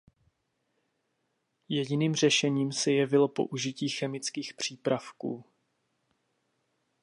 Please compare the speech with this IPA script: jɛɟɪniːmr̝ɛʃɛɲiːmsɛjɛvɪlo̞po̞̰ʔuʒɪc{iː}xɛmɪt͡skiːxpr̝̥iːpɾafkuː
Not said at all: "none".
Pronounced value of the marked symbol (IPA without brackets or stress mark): iː